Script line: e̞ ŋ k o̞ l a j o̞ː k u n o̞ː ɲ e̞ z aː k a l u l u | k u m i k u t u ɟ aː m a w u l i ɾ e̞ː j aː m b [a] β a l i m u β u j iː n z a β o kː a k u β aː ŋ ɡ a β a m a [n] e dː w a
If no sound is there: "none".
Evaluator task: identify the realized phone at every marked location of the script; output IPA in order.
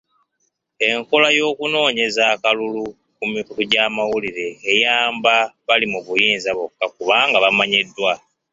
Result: a, ɲ

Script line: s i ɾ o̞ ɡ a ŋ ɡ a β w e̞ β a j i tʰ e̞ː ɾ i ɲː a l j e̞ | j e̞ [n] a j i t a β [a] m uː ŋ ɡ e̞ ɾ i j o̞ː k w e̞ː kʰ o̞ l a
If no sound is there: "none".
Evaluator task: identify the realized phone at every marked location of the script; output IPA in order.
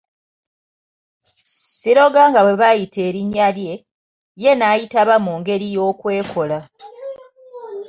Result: n, a

